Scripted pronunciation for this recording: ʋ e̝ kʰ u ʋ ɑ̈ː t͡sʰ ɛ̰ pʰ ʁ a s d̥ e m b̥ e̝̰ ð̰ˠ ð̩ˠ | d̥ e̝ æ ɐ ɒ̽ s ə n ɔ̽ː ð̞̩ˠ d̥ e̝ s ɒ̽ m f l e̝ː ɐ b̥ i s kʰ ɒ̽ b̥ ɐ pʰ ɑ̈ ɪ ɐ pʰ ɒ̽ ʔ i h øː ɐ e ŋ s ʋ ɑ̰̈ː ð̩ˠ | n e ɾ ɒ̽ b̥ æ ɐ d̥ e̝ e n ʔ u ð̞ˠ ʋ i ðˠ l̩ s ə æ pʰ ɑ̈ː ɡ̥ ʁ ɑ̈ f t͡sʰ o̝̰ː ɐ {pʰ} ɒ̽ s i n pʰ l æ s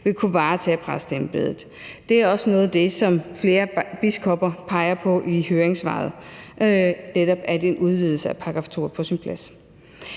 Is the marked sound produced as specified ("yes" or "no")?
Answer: yes